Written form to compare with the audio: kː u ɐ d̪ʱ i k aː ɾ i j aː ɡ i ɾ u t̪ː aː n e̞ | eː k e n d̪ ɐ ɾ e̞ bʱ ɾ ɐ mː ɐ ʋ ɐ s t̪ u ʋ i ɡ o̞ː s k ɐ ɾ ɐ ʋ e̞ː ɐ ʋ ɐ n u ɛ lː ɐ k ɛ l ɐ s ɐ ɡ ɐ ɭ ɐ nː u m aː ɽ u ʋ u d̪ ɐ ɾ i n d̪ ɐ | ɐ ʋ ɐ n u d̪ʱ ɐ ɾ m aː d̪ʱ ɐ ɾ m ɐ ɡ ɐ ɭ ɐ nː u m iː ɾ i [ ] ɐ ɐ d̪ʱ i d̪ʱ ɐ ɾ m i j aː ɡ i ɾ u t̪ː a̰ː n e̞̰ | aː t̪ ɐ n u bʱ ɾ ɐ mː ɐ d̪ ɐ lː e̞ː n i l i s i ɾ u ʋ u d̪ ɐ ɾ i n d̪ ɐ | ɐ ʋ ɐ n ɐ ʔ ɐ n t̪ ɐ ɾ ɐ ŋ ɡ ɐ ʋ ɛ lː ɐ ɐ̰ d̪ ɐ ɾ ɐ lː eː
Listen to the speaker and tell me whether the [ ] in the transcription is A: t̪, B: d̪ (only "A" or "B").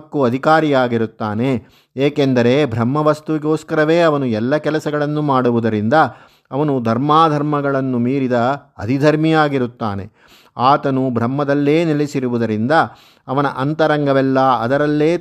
B